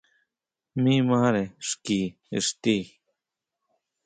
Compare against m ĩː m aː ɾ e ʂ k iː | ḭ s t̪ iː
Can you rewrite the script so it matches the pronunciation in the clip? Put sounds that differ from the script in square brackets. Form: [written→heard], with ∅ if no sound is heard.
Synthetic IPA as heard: m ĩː m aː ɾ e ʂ k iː | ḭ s t̪ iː